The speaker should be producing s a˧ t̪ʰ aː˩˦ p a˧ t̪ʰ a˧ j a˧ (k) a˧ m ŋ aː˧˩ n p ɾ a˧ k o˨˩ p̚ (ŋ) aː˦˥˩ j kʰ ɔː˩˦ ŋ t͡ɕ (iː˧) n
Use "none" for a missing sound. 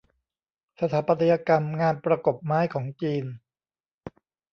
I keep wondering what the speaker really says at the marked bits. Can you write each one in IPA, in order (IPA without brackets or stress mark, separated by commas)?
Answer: k, m, iː˧